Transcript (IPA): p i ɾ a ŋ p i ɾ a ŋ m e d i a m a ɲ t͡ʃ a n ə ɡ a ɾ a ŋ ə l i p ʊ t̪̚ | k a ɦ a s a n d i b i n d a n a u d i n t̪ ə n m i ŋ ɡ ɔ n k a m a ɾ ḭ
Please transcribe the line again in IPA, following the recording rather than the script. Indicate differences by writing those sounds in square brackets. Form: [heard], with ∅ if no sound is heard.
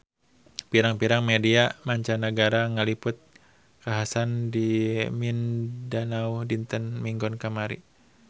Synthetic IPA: p i ɾ a ŋ p i ɾ a ŋ m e d i a m a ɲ t͡ʃ a n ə ɡ a ɾ a ŋ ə l i p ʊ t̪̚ | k a ɦ a s a n d i [m] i n d a n a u d i n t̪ ə n m i ŋ ɡ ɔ n k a m a ɾ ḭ